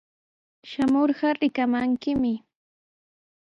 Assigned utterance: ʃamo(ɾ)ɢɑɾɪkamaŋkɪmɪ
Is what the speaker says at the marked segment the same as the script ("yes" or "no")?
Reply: yes